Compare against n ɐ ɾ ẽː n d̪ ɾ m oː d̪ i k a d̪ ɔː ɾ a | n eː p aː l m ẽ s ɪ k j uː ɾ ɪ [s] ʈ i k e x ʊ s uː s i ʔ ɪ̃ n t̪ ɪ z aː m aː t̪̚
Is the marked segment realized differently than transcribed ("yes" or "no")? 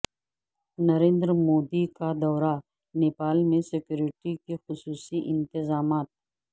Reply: yes